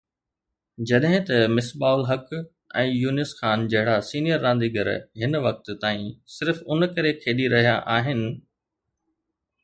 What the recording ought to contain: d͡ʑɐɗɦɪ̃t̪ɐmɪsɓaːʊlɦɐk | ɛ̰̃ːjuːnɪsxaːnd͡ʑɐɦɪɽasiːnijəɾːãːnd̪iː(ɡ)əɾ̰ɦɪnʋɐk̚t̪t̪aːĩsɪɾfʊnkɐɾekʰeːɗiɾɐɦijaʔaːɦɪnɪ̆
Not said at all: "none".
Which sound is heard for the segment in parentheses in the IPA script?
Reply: ɡ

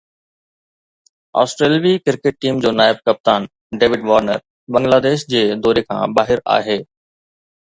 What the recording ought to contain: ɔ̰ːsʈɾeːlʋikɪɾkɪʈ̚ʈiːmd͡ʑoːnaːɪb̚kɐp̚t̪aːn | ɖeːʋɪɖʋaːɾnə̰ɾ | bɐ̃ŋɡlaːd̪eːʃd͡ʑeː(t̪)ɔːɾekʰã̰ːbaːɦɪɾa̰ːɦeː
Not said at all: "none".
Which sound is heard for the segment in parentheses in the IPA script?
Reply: d̪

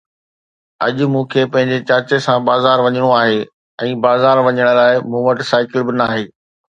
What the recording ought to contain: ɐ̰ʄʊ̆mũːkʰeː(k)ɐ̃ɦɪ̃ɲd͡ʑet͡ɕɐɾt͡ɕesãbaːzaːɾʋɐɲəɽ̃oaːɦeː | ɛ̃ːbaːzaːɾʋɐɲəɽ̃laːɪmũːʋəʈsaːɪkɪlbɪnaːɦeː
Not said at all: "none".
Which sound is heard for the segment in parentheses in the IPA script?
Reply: p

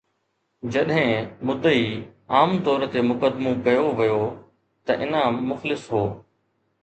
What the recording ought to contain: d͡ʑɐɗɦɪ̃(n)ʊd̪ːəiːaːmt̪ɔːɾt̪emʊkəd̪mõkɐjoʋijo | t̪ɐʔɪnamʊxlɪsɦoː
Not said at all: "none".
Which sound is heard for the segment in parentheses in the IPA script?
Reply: m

